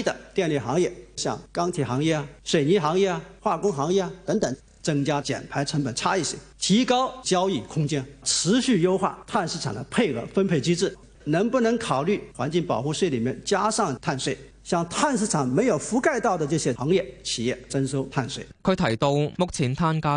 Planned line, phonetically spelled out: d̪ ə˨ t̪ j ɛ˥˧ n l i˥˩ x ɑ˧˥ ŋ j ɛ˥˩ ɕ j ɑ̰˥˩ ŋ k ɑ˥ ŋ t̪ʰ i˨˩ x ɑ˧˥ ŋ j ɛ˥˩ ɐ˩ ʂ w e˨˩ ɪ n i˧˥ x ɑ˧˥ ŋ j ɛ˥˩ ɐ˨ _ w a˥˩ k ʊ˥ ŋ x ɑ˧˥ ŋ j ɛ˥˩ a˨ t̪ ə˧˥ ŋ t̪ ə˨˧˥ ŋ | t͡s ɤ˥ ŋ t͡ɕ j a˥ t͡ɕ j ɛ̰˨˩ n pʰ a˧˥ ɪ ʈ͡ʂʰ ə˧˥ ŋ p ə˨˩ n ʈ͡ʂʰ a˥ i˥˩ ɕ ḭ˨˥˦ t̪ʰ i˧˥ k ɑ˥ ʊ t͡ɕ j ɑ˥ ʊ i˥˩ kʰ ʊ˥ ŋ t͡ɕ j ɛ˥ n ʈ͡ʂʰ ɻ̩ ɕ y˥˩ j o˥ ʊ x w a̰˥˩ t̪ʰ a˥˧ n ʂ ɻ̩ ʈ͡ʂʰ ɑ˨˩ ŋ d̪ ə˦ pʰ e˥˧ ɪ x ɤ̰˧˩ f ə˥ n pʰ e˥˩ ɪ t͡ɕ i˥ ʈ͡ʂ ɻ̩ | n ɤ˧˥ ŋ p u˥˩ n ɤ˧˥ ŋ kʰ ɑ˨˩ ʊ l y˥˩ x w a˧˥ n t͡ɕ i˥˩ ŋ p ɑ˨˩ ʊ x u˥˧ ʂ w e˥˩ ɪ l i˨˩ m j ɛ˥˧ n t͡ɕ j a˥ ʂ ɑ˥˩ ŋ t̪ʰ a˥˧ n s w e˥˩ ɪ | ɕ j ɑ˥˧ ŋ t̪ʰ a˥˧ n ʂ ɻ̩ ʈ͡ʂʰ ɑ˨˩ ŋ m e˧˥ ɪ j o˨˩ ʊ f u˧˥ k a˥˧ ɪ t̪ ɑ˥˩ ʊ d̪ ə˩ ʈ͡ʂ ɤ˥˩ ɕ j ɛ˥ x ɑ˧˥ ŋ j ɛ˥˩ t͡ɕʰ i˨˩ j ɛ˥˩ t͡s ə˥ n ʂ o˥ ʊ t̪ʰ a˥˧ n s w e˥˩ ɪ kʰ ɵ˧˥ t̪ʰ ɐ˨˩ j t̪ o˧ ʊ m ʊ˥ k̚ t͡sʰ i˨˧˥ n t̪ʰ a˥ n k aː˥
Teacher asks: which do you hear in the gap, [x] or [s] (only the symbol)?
x